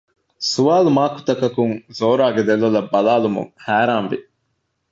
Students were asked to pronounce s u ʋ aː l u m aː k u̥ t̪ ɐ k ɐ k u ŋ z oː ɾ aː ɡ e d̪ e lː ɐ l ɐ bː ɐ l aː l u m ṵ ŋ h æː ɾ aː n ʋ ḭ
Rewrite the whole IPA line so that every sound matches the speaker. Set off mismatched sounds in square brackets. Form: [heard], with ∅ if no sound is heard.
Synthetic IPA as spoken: s u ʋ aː l u m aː k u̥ t̪ ɐ k ɐ k u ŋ z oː ɾ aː ɡ e d̪ e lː ɐ l ɐ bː ɐ l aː l u m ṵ ŋ h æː ɾ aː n ʋ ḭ